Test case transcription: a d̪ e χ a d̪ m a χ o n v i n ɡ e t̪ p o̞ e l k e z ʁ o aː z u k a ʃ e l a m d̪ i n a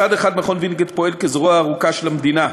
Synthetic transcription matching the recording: a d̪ e χ a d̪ m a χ o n v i n ɡ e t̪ p o̞ e l k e z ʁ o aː ʁ u k a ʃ e l a m d̪ i n a